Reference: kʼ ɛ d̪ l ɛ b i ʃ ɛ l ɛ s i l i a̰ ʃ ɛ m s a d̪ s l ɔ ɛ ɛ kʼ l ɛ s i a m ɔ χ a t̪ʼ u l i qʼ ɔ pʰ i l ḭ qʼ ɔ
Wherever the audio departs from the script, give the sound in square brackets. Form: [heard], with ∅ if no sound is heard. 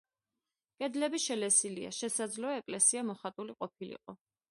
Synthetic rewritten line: kʼ ɛ d̪ l ɛ b i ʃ ɛ l ɛ s i l i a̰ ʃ ɛ [∅] s a d̪ [z] l ɔ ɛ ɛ kʼ l ɛ s i a m ɔ χ a t̪ʼ u l i qʼ ɔ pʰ i l ḭ qʼ ɔ